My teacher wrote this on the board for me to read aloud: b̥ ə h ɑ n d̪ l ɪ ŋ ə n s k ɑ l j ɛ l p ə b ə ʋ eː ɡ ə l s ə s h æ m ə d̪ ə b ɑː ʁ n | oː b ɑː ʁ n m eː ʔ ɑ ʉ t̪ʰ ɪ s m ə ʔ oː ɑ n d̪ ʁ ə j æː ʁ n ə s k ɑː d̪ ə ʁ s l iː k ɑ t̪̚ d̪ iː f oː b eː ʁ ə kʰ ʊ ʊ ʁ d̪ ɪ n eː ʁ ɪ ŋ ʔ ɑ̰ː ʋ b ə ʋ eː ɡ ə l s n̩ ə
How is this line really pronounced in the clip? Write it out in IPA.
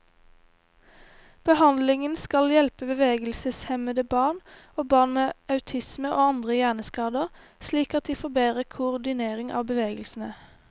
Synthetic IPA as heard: b̥ ə h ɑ n d̪ l ɪ ŋ ə n s k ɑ l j ɛ l p ə b ə ʋ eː ɡ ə l s ə s h ɛ m ə d̪ ə b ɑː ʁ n | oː b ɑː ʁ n m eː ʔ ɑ ʉ t̪ʰ ɪ s m ə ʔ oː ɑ n d̪ ʁ ə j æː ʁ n ə s k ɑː d̪ ə ʁ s l iː k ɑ t̪̚ d̪ iː f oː b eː ʁ ə kʰ ʊ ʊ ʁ d̪ ɪ n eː ʁ ɪ ŋ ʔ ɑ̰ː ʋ b ə ʋ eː ɡ ə l s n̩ ə